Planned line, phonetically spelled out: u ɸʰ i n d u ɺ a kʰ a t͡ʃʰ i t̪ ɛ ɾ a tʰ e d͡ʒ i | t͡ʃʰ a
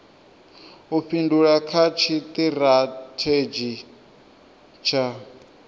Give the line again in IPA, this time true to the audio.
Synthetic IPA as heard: u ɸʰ i n d u ɺ a kʰ a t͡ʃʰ i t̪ i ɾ a tʰ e d͡ʒ i | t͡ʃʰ a